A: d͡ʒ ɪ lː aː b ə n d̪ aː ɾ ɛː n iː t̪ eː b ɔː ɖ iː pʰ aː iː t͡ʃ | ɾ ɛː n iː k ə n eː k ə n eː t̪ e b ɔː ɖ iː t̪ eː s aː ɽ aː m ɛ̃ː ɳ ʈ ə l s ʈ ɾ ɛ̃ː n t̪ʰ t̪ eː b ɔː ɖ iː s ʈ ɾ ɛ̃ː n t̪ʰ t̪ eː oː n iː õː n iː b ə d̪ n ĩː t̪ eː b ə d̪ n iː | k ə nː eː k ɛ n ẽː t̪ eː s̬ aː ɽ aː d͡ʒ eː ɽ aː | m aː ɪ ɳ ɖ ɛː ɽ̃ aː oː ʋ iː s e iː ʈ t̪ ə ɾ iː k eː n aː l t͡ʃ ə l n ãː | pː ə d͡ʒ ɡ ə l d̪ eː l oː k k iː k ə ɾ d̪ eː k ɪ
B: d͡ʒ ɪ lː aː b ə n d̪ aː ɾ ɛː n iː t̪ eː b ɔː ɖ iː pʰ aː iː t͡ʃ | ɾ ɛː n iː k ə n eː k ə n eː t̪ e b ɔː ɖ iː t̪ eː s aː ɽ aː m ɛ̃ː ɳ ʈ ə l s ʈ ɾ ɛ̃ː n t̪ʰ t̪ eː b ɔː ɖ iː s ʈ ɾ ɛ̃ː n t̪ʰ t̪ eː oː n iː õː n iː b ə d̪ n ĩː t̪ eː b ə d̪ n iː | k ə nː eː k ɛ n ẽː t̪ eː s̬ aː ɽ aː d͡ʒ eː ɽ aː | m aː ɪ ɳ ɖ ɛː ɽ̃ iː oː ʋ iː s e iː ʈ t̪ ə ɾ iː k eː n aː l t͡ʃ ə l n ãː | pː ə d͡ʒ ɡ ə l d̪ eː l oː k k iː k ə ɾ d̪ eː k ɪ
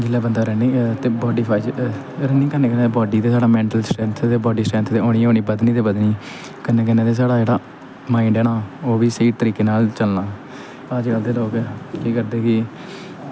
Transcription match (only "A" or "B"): A